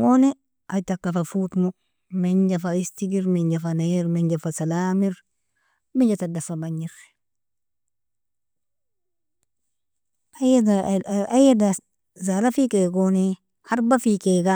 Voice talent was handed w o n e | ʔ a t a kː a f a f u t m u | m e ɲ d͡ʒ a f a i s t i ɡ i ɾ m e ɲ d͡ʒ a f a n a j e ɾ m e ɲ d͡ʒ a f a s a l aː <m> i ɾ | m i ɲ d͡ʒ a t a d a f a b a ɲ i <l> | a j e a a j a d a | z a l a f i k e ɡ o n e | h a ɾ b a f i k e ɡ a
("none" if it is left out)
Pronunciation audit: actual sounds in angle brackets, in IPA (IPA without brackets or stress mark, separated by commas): m, ɾ